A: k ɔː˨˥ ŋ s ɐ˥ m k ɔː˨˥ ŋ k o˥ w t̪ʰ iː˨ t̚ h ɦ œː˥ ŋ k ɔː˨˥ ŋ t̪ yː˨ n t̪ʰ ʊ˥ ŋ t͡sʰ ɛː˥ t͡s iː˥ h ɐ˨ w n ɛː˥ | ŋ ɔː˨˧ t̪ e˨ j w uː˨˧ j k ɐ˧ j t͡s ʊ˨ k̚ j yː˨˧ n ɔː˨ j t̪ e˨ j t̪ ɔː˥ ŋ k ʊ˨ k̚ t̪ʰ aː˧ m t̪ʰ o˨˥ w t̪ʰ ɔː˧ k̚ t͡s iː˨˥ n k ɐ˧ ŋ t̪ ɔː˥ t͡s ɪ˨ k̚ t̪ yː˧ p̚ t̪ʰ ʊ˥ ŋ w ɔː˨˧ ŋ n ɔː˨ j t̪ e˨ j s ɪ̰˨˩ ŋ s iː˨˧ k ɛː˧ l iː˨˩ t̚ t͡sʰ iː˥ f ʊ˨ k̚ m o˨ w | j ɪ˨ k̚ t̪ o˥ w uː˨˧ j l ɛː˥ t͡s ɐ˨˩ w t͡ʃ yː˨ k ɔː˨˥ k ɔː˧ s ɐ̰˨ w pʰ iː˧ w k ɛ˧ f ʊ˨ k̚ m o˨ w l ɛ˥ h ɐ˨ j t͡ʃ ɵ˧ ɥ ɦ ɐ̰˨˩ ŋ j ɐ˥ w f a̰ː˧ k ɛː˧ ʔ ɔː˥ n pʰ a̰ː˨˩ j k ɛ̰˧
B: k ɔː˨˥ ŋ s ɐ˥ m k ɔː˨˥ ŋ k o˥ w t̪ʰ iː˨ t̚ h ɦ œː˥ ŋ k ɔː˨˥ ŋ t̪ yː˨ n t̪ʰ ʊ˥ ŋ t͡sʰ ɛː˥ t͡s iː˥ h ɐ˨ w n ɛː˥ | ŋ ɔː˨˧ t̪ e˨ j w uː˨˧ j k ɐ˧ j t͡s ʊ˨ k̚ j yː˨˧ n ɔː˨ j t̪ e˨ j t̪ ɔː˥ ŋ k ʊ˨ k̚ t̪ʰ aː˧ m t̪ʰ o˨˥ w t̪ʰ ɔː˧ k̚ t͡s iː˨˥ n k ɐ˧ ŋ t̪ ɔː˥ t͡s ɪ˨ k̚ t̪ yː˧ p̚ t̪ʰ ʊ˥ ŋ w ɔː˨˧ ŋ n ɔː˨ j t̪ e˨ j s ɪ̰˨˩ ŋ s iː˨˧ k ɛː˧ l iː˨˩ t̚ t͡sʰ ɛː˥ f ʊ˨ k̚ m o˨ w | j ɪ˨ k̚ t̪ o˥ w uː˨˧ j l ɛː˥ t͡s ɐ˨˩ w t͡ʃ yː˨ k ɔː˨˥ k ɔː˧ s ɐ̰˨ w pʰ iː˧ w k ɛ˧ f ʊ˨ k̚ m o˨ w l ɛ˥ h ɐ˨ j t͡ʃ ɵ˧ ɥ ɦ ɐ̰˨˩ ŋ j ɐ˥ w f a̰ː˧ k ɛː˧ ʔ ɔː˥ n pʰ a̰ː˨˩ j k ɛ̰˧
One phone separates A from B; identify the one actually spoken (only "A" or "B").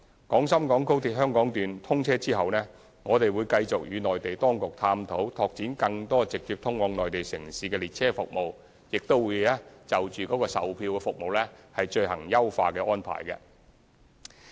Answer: B